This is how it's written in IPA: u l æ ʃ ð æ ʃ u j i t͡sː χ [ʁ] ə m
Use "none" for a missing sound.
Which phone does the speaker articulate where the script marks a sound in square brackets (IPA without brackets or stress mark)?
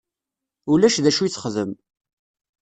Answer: ð